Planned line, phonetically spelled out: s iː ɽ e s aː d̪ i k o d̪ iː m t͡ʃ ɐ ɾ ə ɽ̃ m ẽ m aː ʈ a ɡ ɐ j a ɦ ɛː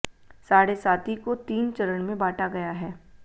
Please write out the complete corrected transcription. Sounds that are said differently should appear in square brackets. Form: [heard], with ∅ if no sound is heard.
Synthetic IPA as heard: s [aː] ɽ e s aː [t̪] i k o [t̪] iː [n] t͡ʃ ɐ ɾ ə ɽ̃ m ẽ [b] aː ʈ a ɡ ɐ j a ɦ ɛː